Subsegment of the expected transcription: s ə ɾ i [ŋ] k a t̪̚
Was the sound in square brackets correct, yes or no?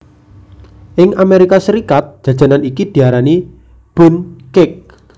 no